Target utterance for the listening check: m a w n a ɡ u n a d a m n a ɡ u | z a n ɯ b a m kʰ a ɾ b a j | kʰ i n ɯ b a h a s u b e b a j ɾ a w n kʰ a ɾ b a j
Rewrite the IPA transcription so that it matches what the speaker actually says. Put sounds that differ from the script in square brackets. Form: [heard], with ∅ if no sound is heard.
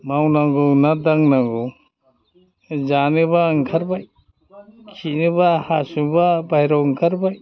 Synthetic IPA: m a w n a ɡ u n a d a [ŋ] n a ɡ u | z a n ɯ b a [ŋ] kʰ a ɾ b a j | kʰ i n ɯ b a h a s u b [a] b a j ɾ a w [ŋ] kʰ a ɾ b a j